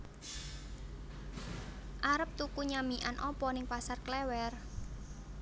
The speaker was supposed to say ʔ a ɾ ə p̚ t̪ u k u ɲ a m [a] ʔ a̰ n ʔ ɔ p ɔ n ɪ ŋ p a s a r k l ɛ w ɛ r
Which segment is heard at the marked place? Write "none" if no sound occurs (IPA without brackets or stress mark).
i